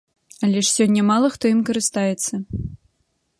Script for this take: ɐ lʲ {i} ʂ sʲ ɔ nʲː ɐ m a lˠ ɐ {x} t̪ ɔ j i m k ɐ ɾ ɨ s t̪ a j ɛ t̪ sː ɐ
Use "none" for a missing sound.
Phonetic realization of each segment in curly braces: ɛ, x

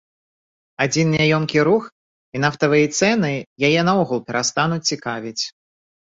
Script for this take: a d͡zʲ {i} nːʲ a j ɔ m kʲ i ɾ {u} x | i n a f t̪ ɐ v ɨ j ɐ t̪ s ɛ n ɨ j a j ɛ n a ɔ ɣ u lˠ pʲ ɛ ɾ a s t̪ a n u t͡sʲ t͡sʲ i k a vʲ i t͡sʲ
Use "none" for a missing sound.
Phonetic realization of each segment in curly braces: i, u

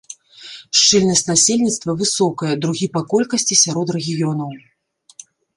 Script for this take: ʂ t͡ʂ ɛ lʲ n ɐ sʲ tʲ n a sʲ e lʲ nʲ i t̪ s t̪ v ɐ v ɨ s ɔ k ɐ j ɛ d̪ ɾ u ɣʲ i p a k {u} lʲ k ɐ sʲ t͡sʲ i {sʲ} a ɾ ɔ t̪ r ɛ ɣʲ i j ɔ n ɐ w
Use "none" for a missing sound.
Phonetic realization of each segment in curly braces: ɔ, sʲ

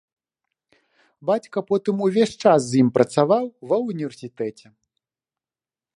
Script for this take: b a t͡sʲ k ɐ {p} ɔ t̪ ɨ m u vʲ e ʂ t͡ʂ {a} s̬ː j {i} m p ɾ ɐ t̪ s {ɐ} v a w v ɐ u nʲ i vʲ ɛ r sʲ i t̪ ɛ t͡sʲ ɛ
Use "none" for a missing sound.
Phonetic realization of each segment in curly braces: p, a, i, a

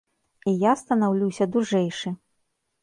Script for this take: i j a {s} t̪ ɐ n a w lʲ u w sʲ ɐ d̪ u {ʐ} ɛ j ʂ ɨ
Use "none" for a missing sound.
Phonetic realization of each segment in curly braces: s, ʐ

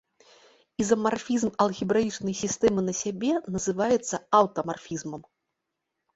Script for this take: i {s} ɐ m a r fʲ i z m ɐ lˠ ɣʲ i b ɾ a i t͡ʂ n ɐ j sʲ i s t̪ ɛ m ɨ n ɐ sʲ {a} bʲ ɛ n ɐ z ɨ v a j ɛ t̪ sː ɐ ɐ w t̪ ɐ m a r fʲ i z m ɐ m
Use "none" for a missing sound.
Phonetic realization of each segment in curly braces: z, a

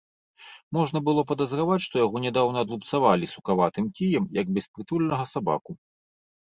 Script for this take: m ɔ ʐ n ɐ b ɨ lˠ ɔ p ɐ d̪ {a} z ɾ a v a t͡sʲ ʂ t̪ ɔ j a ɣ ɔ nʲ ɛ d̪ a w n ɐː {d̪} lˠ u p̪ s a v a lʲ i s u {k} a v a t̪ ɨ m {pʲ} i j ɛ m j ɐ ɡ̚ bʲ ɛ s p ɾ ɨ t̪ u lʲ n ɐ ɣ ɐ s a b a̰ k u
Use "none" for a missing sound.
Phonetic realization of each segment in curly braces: ɐ, d̪, k, kʲ

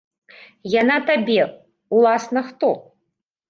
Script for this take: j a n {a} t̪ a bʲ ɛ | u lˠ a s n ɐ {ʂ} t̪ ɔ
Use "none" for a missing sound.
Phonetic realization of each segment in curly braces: a, x

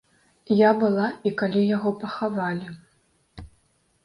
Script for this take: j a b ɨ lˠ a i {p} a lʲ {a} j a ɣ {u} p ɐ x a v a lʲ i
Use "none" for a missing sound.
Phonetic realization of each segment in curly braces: k, i, ɔ

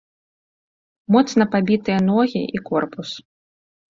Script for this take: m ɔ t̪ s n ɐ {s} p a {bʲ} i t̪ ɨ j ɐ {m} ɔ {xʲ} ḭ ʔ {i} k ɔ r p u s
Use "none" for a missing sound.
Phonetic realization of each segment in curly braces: none, bʲ, n, ɣʲ, i

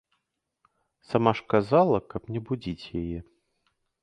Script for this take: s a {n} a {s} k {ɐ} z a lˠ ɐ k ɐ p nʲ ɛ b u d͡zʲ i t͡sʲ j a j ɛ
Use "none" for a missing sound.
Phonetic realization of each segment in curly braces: m, ʂ, a

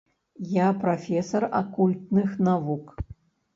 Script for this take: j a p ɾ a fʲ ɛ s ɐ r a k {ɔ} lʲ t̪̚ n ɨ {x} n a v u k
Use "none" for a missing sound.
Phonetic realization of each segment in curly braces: u, x

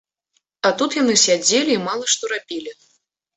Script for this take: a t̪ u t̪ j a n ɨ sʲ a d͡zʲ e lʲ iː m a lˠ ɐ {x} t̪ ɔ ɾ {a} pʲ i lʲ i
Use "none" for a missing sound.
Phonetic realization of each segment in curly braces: ʂ, a

